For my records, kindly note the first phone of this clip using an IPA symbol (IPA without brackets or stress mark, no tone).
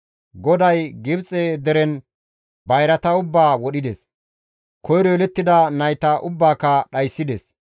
ɡ